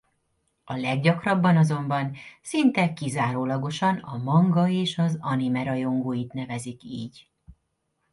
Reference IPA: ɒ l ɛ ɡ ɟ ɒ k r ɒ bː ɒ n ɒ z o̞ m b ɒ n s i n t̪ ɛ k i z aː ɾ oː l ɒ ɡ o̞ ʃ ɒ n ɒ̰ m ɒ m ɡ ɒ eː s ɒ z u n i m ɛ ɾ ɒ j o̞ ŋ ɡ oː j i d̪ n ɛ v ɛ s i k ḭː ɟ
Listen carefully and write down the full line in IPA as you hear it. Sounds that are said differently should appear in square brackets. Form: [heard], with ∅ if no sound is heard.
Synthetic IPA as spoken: ɒ l ɛ ɡ ɟ ɒ k r ɒ bː ɒ n ɒ z o̞ m b ɒ n s i n t̪ ɛ k i z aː ɾ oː l ɒ ɡ o̞ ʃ ɒ n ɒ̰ m ɒ [ŋ] ɡ ɒ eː [ʃ] ɒ z [ɒ] n i m ɛ ɾ ɒ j o̞ ŋ ɡ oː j i [t̪] n ɛ v ɛ [z] i k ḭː ɟ